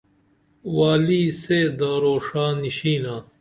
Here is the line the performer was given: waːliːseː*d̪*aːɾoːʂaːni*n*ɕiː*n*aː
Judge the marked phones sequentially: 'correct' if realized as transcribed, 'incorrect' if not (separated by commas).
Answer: correct, incorrect, correct